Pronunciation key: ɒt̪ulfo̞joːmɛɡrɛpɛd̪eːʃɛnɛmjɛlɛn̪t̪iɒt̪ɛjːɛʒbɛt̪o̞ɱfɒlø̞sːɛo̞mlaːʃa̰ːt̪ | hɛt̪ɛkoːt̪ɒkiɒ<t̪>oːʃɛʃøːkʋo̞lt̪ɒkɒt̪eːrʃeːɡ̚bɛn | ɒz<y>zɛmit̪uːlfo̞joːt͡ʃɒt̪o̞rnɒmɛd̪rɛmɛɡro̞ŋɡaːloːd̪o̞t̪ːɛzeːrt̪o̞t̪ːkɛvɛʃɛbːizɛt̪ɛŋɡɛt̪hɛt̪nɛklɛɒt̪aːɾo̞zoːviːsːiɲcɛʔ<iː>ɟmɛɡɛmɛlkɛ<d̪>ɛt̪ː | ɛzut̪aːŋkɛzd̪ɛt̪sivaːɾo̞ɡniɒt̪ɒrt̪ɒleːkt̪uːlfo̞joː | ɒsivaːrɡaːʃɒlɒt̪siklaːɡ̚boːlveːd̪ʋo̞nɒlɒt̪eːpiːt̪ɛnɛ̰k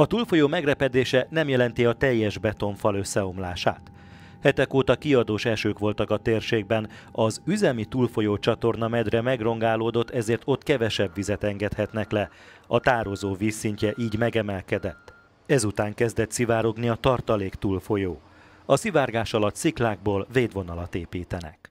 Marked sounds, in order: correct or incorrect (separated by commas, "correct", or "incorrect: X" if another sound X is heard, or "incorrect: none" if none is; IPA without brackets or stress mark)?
incorrect: d̪, correct, correct, correct